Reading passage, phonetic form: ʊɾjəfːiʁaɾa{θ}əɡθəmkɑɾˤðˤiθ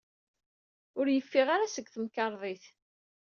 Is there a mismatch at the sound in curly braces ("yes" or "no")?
yes